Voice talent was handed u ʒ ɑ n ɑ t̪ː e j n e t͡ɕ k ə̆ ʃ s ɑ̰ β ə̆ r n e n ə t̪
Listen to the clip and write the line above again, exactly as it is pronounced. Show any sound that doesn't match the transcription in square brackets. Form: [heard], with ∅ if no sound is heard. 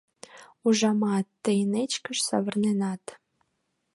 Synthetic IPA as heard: u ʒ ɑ [m] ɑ t̪ː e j n e t͡ɕ k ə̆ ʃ s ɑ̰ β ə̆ r n e n [ɑ] t̪